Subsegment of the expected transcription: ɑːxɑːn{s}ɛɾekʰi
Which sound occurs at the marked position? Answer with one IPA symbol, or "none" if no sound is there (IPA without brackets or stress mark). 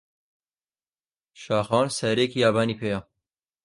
s